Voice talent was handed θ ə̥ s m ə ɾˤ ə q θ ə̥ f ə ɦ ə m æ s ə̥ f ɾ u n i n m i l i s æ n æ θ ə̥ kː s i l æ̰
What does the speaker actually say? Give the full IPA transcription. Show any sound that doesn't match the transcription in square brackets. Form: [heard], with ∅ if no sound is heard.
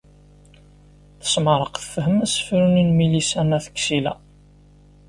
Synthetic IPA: θ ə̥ s m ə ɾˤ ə q θ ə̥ f ə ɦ ə m æ s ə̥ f ɾ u n i n m i l i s æ n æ θ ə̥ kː s i l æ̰